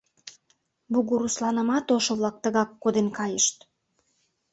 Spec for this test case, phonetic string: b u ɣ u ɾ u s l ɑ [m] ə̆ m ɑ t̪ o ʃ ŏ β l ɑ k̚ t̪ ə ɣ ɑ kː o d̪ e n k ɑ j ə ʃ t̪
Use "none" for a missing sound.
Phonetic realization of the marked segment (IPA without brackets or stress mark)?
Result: n